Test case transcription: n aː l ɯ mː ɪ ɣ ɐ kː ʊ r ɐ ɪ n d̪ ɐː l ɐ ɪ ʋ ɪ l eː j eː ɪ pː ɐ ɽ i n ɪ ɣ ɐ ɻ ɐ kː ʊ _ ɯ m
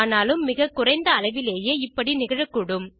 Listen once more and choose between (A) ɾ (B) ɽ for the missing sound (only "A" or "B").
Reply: B